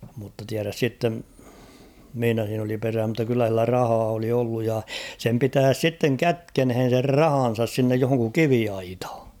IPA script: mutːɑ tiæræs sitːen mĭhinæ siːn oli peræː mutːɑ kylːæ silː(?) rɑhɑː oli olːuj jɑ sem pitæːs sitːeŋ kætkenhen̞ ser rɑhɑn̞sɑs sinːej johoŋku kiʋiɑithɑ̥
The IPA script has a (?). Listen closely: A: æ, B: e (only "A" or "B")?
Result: A